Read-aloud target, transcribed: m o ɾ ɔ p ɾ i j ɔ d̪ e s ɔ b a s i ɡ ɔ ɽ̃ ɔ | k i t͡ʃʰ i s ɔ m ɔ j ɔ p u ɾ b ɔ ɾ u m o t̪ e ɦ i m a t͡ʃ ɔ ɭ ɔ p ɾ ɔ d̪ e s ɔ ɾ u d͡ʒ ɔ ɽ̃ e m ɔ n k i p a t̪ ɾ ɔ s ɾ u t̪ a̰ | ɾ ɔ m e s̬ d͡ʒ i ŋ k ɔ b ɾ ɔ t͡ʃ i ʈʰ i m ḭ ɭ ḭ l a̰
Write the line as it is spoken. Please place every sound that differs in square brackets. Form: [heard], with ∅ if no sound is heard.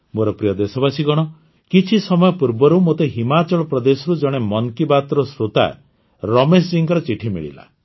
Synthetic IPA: m o ɾ ɔ p ɾ i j ɔ d̪ e s ɔ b a s i ɡ ɔ ɽ̃ ɔ | k i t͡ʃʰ i s ɔ m ɔ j ɔ p u ɾ b ɔ ɾ u m o t̪ e ɦ i m a t͡ʃ ɔ ɭ ɔ p ɾ ɔ d̪ e s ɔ ɾ u d͡ʒ ɔ ɽ̃ e m ɔ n k i [b] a t̪ ɾ ɔ s ɾ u t̪ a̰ | ɾ ɔ m e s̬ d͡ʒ i ŋ k ɔ [∅] ɾ ɔ t͡ʃ i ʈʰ i m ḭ ɭ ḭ l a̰